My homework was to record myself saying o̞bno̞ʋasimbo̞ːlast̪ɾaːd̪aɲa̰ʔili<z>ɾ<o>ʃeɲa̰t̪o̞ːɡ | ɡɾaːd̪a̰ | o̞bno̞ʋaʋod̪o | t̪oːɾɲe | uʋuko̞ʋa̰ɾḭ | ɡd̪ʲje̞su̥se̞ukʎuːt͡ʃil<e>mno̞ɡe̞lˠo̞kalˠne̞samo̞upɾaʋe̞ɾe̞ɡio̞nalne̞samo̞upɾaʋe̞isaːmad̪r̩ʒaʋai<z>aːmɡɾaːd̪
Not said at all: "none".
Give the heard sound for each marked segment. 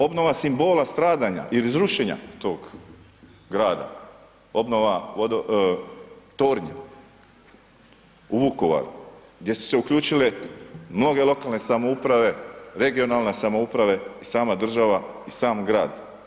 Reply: z, u, e, s

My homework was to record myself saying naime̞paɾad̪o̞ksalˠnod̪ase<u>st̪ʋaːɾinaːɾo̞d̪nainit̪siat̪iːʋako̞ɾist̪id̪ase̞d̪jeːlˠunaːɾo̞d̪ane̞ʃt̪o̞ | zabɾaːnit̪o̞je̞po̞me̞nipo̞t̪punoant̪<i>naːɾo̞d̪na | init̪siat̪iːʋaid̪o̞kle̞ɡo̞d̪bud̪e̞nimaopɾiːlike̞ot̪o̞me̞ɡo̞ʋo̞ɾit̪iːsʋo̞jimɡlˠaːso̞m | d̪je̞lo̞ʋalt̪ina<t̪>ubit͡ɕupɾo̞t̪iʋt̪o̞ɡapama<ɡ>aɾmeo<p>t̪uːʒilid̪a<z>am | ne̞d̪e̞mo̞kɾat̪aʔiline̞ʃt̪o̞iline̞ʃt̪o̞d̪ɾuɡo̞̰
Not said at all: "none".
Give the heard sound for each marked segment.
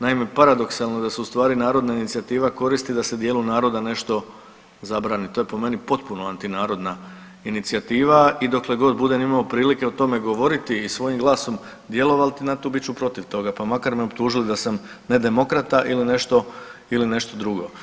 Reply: u, i, t̪, k, p, s

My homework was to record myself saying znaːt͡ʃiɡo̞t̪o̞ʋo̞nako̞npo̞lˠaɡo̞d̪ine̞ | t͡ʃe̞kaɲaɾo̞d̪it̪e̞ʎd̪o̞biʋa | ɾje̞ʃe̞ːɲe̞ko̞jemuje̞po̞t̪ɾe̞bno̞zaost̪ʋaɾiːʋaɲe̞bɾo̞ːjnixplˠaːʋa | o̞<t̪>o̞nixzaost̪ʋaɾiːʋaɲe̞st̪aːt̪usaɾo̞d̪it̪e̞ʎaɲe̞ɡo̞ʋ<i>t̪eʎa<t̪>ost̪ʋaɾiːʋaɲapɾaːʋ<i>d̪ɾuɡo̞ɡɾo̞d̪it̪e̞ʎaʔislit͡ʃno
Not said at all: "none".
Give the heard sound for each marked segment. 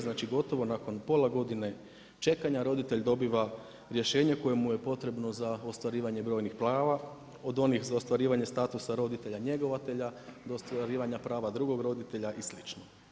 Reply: d̪, a, d̪, a

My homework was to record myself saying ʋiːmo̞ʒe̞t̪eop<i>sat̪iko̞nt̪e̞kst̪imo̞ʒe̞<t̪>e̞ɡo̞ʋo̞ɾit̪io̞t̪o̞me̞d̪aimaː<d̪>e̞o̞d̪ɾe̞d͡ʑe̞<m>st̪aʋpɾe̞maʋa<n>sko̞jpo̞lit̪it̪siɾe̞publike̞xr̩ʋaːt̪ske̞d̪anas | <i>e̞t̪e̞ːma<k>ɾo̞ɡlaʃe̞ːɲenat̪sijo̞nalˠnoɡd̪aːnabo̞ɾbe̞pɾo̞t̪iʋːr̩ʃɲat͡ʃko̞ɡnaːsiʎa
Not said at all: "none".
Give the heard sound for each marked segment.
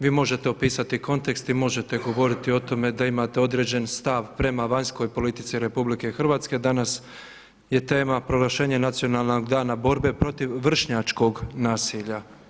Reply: iː, t̪, t̪, n, ɲ, j, p

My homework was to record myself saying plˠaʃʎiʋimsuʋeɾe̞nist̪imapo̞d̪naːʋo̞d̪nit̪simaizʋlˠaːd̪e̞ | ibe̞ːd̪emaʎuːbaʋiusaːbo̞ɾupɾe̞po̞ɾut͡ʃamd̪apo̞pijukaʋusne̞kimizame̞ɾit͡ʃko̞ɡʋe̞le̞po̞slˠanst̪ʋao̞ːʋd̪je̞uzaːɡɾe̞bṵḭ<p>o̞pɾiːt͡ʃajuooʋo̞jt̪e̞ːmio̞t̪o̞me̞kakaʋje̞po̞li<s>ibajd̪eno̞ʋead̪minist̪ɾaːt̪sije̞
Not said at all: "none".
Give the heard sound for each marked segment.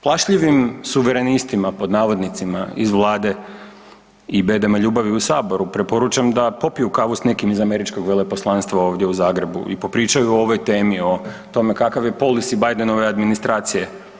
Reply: p, s

